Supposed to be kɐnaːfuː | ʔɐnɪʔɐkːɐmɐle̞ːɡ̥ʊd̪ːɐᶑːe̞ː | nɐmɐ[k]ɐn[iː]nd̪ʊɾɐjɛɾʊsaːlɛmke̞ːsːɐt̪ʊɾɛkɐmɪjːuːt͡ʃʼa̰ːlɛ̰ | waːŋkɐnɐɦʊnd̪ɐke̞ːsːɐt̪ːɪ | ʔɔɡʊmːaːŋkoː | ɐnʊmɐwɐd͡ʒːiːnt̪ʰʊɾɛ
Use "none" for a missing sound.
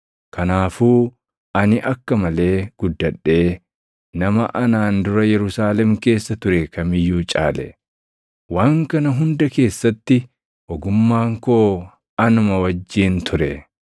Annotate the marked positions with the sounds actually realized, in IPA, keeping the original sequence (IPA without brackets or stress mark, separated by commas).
ʔ, aː